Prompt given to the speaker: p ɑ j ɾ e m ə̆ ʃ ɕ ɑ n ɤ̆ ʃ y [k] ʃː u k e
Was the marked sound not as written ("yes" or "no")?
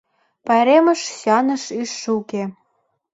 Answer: yes